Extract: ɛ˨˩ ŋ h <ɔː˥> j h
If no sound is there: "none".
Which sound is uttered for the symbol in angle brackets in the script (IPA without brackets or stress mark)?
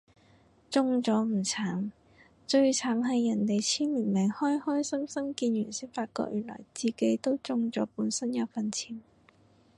ɔː˥